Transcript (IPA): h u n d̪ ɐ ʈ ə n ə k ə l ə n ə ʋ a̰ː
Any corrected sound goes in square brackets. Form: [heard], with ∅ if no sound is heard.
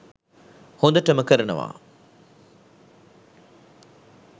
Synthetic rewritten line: h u n d̪ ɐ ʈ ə [m] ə k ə [ɾ] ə n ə ʋ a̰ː